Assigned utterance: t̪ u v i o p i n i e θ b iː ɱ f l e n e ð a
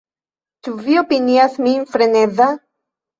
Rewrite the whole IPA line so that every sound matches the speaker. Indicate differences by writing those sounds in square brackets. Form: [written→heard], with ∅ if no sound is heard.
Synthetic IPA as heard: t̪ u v i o p i n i [e→a] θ [b→m] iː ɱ f [l→ɾ] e n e ð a